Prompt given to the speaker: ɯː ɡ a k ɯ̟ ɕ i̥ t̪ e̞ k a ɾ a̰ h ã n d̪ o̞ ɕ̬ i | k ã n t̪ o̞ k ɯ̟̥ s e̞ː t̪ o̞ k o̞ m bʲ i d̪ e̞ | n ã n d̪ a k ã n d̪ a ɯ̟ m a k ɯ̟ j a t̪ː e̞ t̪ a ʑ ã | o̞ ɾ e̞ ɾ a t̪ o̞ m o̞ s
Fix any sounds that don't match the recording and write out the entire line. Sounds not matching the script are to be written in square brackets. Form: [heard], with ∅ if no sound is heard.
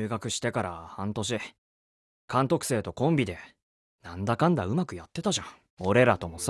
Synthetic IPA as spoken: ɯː ɡ a k ɯ̟ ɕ i̥ t̪ e̞ k a ɾ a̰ h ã n [t̪] o̞ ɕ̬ i | k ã n t̪ o̞ k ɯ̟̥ s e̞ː t̪ o̞ k [õ̞] m bʲ i d̪ e̞ | n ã n d̪ a k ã n d̪ a ɯ̟ m a k ɯ̟ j a t̪ː e̞ t̪ a ʑ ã | o̞ ɾ e̞ ɾ a t̪ o̞ m o̞ s

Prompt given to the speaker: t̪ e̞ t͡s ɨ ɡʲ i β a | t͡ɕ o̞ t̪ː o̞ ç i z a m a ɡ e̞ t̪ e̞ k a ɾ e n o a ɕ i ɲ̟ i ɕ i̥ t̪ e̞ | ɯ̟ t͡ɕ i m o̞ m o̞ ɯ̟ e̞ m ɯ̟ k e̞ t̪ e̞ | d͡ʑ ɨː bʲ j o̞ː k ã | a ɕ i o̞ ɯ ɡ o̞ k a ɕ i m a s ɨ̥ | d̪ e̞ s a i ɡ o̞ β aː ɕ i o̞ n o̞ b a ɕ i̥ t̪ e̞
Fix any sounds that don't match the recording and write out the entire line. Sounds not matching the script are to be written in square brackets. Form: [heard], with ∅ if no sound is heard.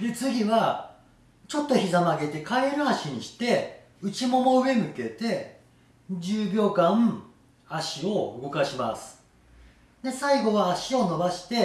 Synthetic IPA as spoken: [d̪] e̞ t͡s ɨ ɡʲ i β a | t͡ɕ o̞ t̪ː o̞ ç i z a m a ɡ e̞ t̪ e̞ k a ɾ e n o a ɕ i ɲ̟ i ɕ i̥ t̪ e̞ | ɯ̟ t͡ɕ i m o̞ m o̞ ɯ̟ e̞ m ɯ̟ k e̞ t̪ e̞ | d͡ʑ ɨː bʲ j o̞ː k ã | a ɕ i o̞ ɯ ɡ o̞ k a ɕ i m a s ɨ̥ | d̪ e̞ s a i ɡ o̞ β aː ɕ i o̞ n o̞ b a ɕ i̥ t̪ e̞

